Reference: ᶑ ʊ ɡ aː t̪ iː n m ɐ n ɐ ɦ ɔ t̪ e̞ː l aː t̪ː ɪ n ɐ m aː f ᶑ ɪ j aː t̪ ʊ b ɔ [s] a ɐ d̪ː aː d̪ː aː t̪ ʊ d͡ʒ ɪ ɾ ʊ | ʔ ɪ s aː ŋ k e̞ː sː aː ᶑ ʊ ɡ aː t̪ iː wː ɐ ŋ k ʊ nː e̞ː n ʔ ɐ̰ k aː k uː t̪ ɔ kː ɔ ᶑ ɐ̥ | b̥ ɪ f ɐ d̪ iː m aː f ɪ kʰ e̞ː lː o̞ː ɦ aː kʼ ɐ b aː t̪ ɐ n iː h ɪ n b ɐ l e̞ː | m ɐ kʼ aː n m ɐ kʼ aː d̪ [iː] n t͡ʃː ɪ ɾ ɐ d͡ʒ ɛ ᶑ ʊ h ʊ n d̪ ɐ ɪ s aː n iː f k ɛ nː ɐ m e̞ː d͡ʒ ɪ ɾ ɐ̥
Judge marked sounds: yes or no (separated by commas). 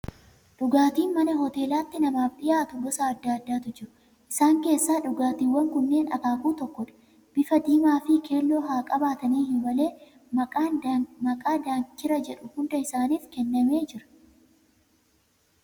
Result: yes, no